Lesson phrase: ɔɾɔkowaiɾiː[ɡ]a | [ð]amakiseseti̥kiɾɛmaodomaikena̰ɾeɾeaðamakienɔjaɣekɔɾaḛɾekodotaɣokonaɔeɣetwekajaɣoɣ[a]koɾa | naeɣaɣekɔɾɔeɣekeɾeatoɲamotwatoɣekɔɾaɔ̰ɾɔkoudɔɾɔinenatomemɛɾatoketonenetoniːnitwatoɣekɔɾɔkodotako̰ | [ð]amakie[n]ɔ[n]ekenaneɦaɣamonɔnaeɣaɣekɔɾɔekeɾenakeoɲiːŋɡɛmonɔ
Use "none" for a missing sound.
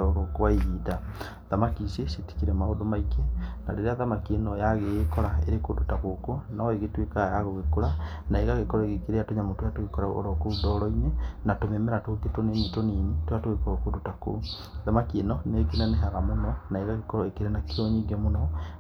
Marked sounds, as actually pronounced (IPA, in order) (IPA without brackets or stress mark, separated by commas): d, ð, e, ð, n, n